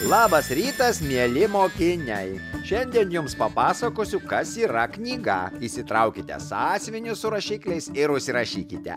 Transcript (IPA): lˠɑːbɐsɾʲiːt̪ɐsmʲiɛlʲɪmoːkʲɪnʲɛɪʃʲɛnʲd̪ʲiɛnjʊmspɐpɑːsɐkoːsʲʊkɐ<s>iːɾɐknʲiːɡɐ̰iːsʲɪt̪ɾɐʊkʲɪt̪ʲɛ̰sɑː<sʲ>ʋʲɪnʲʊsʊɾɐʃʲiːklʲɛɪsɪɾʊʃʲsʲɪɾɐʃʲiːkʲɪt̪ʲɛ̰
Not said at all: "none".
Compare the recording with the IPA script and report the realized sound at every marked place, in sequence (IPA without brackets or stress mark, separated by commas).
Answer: s, sʲ